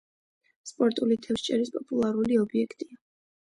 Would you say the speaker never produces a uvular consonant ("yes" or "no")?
yes